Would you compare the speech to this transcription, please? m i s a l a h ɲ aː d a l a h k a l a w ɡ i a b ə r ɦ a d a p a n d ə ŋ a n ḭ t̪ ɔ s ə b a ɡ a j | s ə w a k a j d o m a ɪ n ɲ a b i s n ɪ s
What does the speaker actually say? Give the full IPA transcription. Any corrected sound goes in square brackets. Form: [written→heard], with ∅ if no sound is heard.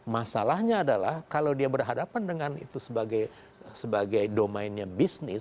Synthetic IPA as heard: m [i→a] s a l a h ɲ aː d a l a h k a l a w [ɡ→d] i a b ə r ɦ a d a p a n d ə ŋ a n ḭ t̪ [ɔ→u] s ə b a ɡ a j | s ə [w→b] a [k→ɡ] a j d o m a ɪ n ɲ a b i s n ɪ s

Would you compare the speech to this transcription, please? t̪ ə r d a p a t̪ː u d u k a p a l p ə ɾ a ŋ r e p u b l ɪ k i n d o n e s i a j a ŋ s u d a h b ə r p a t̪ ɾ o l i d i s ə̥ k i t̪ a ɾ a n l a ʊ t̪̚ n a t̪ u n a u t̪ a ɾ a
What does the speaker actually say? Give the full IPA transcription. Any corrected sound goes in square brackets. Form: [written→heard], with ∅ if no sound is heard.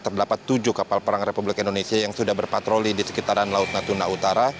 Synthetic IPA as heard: t̪ ə r d a p a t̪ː u [d→d͡ʒ] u k a p a l p ə ɾ a ŋ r e p u b l ɪ k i n d o n e s i a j a ŋ s u d a h b ə r p a t̪ ɾ o l i d i s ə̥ k i t̪ a ɾ a n l a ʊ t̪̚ n a t̪ u n a u t̪ a ɾ a

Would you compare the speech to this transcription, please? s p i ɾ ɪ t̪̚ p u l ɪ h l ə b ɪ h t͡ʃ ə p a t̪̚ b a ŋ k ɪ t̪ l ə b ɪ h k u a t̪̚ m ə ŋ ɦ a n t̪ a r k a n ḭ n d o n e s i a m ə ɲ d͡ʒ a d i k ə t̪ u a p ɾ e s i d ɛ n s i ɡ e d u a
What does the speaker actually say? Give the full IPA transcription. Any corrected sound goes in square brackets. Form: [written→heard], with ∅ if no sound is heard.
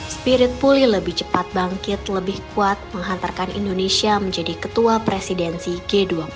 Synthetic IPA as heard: s p i ɾ ɪ t̪̚ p u l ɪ h l ə b ɪ h t͡ʃ ə p a t̪̚ b a ŋ k ɪ t̪ l ə b ɪ h k u a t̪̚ m ə ŋ ɦ a n t̪ a r k a n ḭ n d o n e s i a m ə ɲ d͡ʒ a d i k ə t̪ u a p ɾ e s i d ɛ n s i ɡ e d u a

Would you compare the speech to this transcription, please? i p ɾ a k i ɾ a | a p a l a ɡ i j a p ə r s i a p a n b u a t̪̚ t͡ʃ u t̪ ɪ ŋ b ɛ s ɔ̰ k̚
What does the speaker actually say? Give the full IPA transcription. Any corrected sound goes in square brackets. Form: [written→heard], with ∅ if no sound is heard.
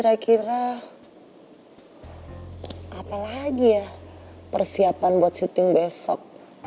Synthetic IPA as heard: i [p→∅] ɾ a k i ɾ a | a p a l a ɡ i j a p ə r s i a p a n b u a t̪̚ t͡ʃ u t̪ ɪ ŋ b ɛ s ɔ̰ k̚

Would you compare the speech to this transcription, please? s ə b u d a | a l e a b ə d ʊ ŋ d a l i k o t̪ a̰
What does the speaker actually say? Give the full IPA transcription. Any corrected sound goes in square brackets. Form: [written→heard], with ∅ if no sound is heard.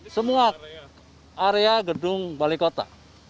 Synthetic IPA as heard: s ə [b→m] u [d→∅] a | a [l→ɾ] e a [b→ɡ] ə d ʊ ŋ [d→b] a l i k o t̪ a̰

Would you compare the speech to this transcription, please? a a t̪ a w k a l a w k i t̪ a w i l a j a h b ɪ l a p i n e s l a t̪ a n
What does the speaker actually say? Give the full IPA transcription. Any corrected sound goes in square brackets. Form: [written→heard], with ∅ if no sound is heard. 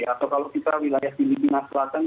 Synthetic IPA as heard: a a t̪ a w k a l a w k i t̪ a w i l a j a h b [ɪ→i] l [a→i] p i n [e→a] s l a t̪ a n

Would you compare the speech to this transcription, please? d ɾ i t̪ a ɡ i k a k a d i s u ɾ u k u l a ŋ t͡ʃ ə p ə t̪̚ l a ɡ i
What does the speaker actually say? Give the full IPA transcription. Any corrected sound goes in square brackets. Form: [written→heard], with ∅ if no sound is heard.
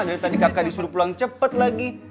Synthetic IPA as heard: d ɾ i t̪ a [ɡ→d] i k a k a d i s u ɾ u [k→p] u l a ŋ t͡ʃ ə p ə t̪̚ l a ɡ i

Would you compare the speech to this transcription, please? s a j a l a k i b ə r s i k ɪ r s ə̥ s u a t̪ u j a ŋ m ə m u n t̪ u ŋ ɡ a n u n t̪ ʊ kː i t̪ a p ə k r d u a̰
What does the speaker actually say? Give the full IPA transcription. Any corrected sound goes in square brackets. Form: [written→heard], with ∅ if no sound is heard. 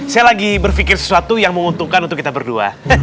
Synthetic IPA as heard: s a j a l a [k→ɡ] i b ə r [s→f] i k ɪ r s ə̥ s u a t̪ u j a ŋ m ə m u n t̪ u ŋ [ɡ→k] a n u n t̪ ʊ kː i t̪ a [p→b] ə [k→∅] r d u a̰

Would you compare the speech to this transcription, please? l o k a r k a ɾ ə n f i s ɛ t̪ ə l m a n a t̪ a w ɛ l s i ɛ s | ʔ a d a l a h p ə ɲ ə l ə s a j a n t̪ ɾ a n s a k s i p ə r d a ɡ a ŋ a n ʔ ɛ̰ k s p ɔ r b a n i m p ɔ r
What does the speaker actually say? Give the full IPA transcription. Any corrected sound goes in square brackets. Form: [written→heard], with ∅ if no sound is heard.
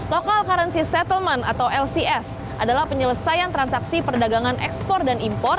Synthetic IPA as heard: l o k a [r→l] k a ɾ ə n [f→s] i s ɛ t̪ ə l m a n a t̪ a w ɛ l s i ɛ s | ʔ a d a l a h p ə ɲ ə l ə s a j a n t̪ ɾ a n s a k s i p ə r d a ɡ a ŋ a n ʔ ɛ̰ k s p ɔ r [b→d] a n i m p ɔ r

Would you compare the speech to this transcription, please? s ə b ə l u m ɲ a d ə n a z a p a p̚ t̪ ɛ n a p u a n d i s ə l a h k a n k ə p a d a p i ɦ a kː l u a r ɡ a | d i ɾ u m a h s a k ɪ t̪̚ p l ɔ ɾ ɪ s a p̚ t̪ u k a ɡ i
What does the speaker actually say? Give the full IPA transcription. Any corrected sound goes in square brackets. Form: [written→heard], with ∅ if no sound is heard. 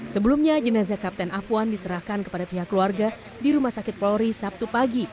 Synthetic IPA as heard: s ə b ə l u m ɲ a [d→d͡ʒ] ə n a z a [p→k] a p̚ t̪ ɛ n a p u a n d i s ə [l→ɾ] a h k a n k ə p a d a p i ɦ a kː l u a r ɡ a | d i ɾ u m a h s a k ɪ t̪̚ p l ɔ ɾ [ɪ→i] s a p̚ t̪ u [k→p] a ɡ i

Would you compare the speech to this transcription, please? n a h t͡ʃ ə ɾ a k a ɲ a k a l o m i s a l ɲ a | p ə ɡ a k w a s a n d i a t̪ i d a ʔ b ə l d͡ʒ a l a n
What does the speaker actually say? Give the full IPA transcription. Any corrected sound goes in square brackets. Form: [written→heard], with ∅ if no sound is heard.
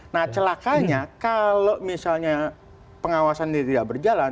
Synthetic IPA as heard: n a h t͡ʃ ə [ɾ→l] a k a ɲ a k a l o m i s a l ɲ a | p ə [ɡ→ŋ] a [k→∅] w a s a n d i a t̪ i d a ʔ b ə [l→r] d͡ʒ a l a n

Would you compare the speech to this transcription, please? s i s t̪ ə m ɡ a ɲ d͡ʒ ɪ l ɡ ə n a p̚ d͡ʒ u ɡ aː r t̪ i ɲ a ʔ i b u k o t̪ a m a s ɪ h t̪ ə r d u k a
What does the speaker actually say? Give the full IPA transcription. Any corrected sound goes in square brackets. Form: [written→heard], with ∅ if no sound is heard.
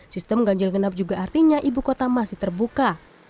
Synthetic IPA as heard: s i s t̪ ə m ɡ a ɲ d͡ʒ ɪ l ɡ ə n a p̚ d͡ʒ u ɡ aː r t̪ i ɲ a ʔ i b u k o t̪ a m a s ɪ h t̪ ə r [d→b] u k a

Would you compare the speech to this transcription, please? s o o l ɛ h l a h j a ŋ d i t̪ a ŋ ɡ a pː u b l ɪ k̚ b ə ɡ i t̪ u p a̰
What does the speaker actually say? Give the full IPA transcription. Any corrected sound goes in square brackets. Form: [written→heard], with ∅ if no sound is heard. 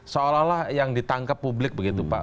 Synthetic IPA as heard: s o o l [ɛ→a] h l a h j a ŋ d i t̪ a ŋ [ɡ→k] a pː u b l ɪ k̚ b ə ɡ i t̪ u p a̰

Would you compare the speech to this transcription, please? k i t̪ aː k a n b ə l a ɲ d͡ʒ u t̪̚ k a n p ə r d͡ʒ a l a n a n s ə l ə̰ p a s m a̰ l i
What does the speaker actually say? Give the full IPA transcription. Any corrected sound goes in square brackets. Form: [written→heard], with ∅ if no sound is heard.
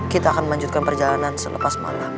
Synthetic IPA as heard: k i t̪ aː k a n [b→m] ə l a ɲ d͡ʒ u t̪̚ k a n p ə r d͡ʒ a l a n a n s ə l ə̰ p a s m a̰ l [i→a]

